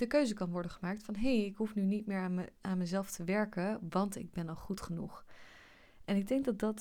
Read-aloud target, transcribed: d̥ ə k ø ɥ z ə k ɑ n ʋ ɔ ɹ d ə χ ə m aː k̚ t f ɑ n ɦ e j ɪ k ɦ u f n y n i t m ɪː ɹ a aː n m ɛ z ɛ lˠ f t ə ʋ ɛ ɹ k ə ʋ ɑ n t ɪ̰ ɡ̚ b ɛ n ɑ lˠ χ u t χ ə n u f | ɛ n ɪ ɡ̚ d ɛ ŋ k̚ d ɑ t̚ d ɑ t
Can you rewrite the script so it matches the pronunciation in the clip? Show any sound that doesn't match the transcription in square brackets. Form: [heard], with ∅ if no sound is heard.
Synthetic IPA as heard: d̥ ə k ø ɥ z ə k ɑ n ʋ ɔ ɹ d ə χ ə m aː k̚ t f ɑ n ɦ e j ɪ k ɦ u f n y n i t m ɪː ɹ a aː n m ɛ z ɛ lˠ f t ə ʋ ɛ ɹ k ə ʋ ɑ n t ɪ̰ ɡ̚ b ɛ n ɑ lˠ χ u t χ ə n u [χ] | ɛ n ɪ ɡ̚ d ɛ ŋ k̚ d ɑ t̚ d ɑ t